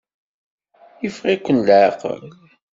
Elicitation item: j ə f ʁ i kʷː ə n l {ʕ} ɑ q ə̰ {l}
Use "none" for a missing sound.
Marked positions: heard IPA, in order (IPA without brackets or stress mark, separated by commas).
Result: ʕ, l